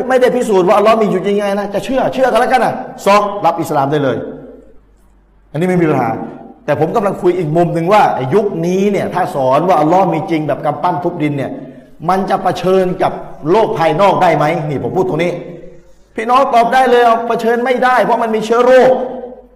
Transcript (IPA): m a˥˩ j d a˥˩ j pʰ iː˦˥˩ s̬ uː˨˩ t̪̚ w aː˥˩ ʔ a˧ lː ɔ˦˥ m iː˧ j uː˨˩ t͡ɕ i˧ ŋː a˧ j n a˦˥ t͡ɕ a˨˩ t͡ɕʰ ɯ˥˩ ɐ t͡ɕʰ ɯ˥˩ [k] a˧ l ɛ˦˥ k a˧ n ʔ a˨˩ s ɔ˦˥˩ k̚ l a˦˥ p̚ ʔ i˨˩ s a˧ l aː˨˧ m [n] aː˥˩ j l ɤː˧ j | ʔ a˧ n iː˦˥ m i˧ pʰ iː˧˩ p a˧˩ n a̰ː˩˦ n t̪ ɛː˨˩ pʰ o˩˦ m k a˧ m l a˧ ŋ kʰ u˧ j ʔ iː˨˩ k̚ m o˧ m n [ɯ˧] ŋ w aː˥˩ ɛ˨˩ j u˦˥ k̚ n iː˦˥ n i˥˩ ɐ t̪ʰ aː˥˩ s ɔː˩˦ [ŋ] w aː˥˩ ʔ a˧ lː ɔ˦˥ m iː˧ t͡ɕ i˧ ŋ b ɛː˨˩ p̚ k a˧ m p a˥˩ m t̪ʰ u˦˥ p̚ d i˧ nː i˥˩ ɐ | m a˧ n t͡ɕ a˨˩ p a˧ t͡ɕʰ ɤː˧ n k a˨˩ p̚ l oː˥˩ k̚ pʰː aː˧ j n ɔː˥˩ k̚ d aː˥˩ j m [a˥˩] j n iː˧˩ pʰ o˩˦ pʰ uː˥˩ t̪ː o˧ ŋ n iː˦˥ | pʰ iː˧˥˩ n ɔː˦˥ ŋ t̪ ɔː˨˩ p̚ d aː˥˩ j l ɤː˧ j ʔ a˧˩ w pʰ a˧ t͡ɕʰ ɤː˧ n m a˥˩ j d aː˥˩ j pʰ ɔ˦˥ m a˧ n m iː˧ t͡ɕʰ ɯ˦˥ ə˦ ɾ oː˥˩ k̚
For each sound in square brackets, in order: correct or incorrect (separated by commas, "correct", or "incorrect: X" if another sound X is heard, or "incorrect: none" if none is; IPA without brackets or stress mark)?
correct, incorrect: d, correct, incorrect: n, incorrect: a˦˥